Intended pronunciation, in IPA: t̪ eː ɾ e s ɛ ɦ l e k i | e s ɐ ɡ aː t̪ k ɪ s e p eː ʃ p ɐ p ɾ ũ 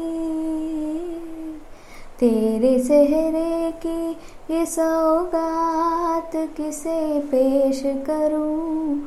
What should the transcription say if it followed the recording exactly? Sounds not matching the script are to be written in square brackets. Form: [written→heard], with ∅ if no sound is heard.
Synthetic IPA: t̪ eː ɾ e s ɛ ɦ [l→ɾ] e k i | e s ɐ ɡ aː t̪ k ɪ s e p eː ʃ [p→k] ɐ [p→∅] ɾ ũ